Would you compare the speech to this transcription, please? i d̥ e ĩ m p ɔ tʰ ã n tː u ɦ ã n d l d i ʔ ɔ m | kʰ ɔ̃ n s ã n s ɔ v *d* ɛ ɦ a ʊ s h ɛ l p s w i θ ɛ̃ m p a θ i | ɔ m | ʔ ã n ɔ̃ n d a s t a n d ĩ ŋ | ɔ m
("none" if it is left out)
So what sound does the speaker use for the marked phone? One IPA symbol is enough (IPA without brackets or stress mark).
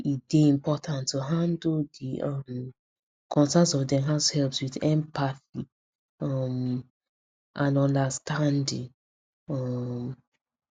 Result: d